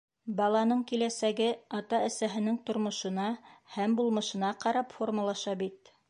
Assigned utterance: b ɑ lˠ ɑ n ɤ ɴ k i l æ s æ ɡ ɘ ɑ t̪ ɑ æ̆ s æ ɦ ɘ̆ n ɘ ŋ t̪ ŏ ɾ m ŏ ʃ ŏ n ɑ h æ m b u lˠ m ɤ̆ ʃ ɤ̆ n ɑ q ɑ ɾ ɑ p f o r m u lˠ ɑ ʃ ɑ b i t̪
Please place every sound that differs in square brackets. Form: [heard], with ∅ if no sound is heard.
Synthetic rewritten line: b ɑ lˠ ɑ n ɤ ɴ k i l æ s æ ɡ ɘ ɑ t̪ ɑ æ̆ s æ ɦ ɘ̆ n ɘ ŋ t̪ ŏ ɾ m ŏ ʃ [ɤ̆] n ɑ h æ m b u lˠ m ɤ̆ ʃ ɤ̆ n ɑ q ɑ ɾ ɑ p f o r m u lˠ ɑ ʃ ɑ b i t̪